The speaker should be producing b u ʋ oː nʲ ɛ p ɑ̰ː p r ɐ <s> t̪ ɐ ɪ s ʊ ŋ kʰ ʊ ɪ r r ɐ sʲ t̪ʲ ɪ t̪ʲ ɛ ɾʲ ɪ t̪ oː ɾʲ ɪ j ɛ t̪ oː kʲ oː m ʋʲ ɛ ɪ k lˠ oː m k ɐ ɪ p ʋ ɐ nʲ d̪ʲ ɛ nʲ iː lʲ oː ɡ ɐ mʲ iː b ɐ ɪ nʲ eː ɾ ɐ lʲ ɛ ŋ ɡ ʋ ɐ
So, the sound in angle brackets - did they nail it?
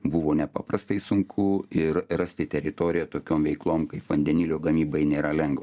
yes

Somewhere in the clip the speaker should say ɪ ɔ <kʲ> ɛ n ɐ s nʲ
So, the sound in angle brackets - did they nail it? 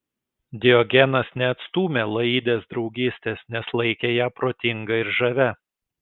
no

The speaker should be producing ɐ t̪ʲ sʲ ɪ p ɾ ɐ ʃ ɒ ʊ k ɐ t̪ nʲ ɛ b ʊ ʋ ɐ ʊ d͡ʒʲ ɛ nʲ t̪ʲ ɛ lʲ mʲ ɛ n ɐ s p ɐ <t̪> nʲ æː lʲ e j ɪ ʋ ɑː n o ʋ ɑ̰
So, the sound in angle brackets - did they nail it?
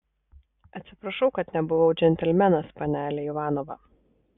no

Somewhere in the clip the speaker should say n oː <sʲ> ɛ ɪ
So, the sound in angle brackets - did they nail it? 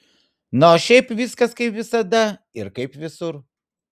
no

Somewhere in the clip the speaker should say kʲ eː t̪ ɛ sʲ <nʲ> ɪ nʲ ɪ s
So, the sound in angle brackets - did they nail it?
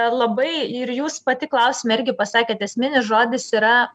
no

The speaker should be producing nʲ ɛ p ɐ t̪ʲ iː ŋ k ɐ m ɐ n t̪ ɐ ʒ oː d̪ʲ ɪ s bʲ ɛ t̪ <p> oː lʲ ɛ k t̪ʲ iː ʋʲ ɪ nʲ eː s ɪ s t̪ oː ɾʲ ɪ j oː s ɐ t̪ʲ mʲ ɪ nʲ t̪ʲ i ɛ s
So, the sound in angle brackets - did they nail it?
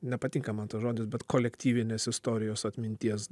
no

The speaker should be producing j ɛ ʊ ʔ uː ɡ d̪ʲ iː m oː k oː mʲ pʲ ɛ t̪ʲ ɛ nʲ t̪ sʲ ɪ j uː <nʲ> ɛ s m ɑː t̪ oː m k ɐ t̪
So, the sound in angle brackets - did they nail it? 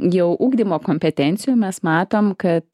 no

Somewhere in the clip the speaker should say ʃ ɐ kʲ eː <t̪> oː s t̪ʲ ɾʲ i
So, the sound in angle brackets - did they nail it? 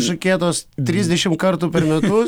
yes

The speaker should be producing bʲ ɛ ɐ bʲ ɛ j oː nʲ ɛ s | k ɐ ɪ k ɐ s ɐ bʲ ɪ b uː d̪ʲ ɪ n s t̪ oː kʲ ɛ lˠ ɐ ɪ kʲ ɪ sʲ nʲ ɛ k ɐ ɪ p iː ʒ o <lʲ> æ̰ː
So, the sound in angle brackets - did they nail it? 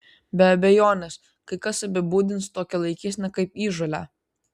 yes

